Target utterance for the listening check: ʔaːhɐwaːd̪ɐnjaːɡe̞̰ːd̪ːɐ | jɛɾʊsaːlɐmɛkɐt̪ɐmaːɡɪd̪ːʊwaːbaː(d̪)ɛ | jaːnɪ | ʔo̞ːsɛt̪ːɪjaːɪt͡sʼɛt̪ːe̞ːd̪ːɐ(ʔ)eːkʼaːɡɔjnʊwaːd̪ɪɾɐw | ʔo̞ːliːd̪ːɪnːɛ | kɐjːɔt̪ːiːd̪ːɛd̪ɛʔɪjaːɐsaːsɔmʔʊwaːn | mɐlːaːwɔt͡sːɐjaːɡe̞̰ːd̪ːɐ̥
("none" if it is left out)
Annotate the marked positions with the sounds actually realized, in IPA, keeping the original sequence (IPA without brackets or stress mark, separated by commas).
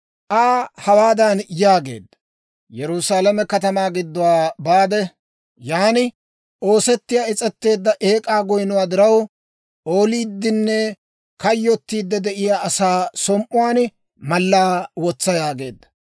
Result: d̪, ʔ